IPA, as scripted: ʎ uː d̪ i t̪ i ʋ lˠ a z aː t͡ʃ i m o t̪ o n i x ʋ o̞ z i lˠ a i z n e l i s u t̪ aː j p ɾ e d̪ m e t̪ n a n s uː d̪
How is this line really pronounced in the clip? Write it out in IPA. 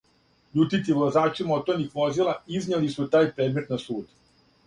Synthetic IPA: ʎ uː t̪ i t̪ i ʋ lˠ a z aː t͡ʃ i m o t̪ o n i x ʋ o̞ z i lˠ a i z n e l i s u t̪ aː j p ɾ e d̪ m e t̪ n a s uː d̪